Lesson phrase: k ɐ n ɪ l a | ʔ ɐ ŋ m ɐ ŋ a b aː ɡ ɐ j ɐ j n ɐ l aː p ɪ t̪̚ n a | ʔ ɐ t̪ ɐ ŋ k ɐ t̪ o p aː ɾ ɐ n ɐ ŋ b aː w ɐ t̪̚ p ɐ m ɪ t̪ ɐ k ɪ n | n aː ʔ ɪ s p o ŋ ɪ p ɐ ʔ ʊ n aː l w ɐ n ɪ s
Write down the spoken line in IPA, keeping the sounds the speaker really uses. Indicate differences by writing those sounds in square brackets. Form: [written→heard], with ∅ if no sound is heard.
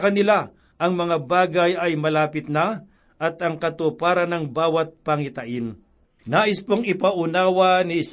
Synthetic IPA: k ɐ n ɪ l a | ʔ ɐ ŋ m ɐ ŋ a b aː ɡ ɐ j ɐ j [n→m] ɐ l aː p ɪ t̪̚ n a | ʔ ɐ t̪ ɐ ŋ k ɐ t̪ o p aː ɾ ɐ n ɐ ŋ b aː w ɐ t̪̚ p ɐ [m→ŋ] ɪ t̪ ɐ [k→ʔ] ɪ n | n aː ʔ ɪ s p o ŋ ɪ p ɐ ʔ ʊ n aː [l→∅] w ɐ n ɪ s